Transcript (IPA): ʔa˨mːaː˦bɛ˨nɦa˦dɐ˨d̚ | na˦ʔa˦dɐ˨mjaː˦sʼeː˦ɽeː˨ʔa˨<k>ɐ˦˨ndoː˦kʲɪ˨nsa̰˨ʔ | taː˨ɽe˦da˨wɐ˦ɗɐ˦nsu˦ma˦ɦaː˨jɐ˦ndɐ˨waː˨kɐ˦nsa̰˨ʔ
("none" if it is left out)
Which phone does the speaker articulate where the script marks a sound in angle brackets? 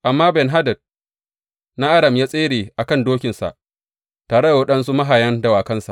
k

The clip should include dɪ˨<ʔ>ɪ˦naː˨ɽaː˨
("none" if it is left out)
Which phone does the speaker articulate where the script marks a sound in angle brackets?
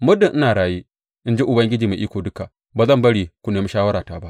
ʔ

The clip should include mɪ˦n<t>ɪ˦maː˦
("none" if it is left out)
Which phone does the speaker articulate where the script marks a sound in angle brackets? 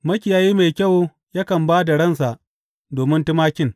t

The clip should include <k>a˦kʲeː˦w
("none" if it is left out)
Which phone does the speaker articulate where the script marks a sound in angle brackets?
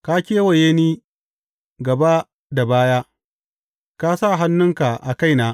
k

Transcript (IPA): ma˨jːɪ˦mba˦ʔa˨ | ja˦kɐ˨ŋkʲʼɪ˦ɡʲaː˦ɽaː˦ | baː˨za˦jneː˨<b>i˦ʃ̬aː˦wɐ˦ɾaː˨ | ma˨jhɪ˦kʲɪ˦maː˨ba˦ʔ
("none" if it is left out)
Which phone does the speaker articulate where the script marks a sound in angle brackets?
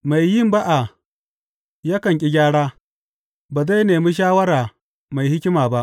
m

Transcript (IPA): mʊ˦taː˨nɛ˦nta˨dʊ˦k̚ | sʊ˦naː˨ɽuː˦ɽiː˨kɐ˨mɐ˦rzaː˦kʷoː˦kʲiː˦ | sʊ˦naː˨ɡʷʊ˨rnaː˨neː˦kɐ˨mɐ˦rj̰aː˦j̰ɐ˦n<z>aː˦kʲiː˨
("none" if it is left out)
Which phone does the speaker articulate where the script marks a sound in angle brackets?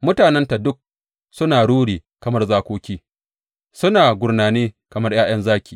z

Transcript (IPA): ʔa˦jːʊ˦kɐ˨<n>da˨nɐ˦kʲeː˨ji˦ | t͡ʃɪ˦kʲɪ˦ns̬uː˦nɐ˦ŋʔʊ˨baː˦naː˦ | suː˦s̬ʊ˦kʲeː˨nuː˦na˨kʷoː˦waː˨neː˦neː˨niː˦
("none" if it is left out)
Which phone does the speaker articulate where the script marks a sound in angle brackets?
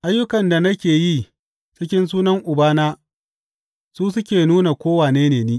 n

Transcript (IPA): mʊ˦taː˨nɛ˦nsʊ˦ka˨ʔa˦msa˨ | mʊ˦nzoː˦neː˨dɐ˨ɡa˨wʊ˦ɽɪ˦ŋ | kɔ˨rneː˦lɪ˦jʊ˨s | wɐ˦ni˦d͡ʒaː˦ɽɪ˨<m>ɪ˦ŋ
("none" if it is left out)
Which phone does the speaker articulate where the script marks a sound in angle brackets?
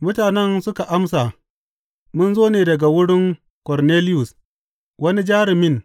m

